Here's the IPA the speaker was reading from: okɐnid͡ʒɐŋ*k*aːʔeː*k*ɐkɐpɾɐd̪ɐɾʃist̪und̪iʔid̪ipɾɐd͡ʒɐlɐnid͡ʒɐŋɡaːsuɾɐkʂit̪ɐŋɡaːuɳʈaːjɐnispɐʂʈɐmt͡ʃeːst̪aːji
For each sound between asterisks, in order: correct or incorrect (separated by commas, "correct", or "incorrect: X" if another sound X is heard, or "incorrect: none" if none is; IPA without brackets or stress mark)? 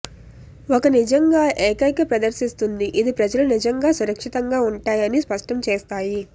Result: incorrect: ɡ, correct